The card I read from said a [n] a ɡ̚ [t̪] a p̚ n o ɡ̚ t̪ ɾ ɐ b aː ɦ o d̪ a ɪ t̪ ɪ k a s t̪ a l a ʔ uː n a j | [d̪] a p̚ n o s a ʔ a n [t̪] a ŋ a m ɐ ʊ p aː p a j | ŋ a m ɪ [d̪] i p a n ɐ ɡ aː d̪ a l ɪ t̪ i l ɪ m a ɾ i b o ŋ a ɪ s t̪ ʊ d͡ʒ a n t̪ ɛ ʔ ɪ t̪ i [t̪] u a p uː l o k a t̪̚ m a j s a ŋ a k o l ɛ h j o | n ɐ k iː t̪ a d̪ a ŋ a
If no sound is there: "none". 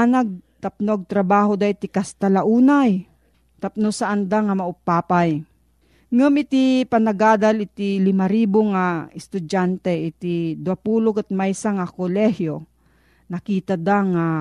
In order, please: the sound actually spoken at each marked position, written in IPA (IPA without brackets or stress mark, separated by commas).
n, t̪, t̪, d̪, t̪, d̪